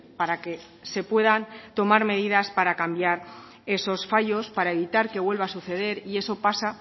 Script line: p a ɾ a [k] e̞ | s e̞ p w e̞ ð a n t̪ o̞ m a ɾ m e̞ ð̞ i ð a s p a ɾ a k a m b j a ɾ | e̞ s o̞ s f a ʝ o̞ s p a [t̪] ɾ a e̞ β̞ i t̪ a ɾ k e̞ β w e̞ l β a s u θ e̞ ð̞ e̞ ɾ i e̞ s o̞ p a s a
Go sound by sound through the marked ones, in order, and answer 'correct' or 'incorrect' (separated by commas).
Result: correct, incorrect